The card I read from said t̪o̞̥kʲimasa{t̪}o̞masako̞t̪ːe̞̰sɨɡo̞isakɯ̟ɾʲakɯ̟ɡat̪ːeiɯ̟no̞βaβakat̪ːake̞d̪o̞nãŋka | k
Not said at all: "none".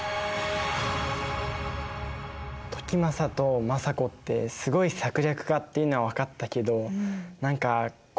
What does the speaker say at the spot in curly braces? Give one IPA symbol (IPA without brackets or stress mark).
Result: t̪